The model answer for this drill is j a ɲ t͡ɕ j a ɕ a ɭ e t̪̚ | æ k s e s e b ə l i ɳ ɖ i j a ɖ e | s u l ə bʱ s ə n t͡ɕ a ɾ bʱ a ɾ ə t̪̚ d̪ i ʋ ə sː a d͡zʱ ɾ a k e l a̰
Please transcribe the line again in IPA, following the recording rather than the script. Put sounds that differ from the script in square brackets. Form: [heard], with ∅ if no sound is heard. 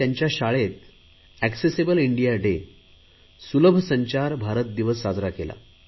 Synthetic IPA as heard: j a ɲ t͡ɕ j a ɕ a ɭ e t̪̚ | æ k s e s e b ə l i ɳ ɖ i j a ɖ e | s u l ə bʱ s ə [ɲ] t͡ɕ a ɾ bʱ a ɾ ə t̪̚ d̪ i ʋ ə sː a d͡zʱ ɾ a k e l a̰

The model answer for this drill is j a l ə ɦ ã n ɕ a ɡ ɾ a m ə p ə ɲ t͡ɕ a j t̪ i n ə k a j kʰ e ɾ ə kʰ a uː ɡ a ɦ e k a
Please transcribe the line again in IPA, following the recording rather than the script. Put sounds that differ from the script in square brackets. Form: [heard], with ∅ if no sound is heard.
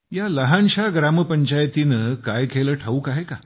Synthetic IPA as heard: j a l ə ɦ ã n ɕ a ɡ ɾ a m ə p ə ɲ t͡ɕ a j t̪ i n ə k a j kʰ e [l] ə [ʈʰ] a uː [k] a ɦ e k a

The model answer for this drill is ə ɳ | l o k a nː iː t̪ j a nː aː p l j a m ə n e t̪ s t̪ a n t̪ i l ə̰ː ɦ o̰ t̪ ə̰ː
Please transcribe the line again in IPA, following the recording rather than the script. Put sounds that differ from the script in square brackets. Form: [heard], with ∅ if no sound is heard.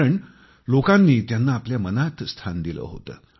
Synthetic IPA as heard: ə ɳ | l o k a nː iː t̪ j a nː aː p l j a m ə n [a] t̪ s [t̪ʰ] a n [d̪] i l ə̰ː ɦ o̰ t̪ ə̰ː

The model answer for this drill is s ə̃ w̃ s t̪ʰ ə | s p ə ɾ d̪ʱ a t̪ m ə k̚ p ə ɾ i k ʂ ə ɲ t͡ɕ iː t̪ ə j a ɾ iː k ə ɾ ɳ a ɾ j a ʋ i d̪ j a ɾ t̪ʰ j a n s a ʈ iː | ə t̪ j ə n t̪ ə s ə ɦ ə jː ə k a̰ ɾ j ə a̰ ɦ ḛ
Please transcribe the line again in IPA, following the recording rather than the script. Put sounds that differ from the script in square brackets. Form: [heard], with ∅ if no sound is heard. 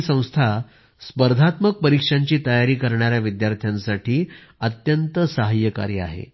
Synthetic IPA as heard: s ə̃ w̃ s t̪ʰ [a] | s p ə ɾ d̪ʱ a t̪ m ə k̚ p ə ɾ i k ʂ [a] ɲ t͡ɕ iː t̪ ə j a ɾ iː k ə ɾ ɳ a ɾ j a ʋ i d̪ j a ɾ t̪ʰ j a n s a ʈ iː | ə t̪ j ə n t̪ ə s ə ɦ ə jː ə k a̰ ɾ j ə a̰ ɦ ḛ

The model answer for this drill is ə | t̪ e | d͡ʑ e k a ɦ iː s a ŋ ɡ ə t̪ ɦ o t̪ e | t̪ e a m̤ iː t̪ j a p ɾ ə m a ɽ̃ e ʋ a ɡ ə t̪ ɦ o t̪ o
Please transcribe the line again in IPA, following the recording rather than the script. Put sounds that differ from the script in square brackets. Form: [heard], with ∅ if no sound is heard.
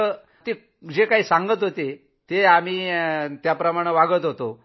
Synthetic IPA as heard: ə | t̪ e | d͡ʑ e k a ɦ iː s a ŋ ɡ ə t̪ ɦ o t̪ e | t̪ e a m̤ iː t̪ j a p ɾ ə m a ɽ̃ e ʋ a ɡ ə t̪ ɦ o t̪ o

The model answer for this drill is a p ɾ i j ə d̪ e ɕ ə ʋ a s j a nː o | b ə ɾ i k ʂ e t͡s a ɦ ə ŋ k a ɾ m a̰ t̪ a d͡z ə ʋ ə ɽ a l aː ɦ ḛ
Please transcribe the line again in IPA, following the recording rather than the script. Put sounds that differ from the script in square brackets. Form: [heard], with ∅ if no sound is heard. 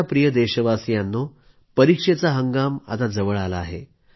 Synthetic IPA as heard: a p ɾ i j ə d̪ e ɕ ə ʋ a s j a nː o | [p] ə ɾ i k ʂ e t͡s a ɦ ə ŋ [ɡ] a [∅] m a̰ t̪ a d͡z ə ʋ ə [ɭ] a l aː ɦ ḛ

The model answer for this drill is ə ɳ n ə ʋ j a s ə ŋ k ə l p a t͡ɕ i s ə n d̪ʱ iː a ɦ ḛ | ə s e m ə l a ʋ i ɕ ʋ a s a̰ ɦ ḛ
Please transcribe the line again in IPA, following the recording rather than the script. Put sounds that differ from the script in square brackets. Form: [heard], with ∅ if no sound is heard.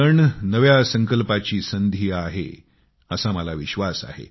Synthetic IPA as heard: ə ɳ n ə ʋ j a s ə ŋ k ə l p a t͡ɕ [iː] s ə n d̪ʱ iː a ɦ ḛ | ə s [a] m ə l a ʋ i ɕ ʋ a s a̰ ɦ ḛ

